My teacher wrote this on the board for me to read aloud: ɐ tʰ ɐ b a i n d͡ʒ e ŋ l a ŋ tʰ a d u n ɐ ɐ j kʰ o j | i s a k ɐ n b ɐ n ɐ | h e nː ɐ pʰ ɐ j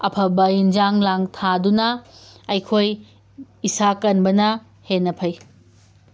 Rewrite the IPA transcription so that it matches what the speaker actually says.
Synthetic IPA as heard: ɐ pʰ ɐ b ɐ i n d͡ʒ a ŋ l a ŋ tʰ a d u n ɐ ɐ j kʰ o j | i s a k ɐ n b ɐ n ɐ | h e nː ɐ pʰ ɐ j